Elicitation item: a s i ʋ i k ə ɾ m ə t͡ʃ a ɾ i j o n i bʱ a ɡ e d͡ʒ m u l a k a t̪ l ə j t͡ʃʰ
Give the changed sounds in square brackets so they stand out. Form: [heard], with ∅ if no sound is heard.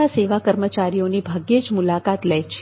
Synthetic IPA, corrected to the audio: a s [e] ʋ [a] k ə ɾ m ə t͡ʃ a ɾ i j o n i bʱ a ɡ e d͡ʒ m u l a k a t̪ l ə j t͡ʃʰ